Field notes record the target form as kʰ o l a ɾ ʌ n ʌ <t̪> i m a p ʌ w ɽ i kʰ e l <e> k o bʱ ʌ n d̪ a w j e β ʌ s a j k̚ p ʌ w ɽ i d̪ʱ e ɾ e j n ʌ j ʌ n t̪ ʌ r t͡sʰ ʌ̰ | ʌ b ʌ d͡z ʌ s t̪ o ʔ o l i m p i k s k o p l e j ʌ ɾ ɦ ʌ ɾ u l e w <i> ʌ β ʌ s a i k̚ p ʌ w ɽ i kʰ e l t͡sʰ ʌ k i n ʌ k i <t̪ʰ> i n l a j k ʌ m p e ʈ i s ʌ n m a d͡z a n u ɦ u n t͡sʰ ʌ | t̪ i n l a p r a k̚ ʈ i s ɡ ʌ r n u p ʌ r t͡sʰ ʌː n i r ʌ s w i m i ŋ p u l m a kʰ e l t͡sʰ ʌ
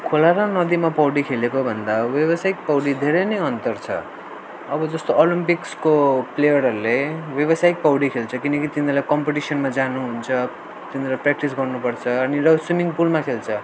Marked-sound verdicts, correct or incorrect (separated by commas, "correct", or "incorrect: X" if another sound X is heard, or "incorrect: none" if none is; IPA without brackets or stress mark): incorrect: d̪, correct, incorrect: j, incorrect: t̪